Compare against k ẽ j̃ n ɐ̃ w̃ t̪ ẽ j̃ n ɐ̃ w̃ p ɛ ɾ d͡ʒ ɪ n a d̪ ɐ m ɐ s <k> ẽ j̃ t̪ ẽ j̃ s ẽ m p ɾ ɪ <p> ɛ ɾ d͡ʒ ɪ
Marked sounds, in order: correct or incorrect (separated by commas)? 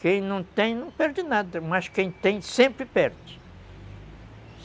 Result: correct, correct